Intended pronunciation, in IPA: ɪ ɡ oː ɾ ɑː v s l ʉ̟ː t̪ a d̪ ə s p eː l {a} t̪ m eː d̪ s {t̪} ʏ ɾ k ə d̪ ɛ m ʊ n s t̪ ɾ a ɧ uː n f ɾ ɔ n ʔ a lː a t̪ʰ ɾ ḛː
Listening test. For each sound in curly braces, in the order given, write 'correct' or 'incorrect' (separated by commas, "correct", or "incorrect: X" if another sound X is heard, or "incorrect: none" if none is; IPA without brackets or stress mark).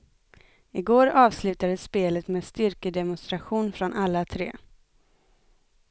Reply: incorrect: ə, correct